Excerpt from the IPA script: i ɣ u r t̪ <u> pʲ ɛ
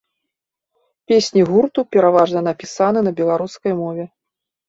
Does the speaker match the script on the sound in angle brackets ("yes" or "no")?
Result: yes